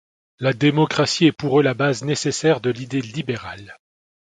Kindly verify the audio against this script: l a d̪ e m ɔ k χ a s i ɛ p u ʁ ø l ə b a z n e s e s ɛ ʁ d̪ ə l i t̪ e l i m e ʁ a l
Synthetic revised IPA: l a d̪ e m ɔ k χ a s i ɛ p u ʁ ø l a b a z n e s e s ɛ ʁ d̪ ə l i d̪ e l i b e ʁ a l